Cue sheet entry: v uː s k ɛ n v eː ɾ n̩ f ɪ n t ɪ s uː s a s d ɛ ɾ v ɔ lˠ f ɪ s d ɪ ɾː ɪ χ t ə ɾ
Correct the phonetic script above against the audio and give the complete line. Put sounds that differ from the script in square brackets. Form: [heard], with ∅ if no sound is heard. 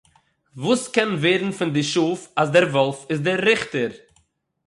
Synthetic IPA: v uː s k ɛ n v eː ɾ n̩ f ɪ n [d] ɪ [ʃ] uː [f] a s d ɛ ɾ v ɔ lˠ f ɪ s d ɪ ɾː ɪ χ t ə ɾ